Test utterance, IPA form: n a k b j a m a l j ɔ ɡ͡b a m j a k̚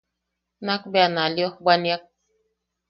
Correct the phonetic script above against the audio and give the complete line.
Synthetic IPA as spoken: n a k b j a n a l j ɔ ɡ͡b a n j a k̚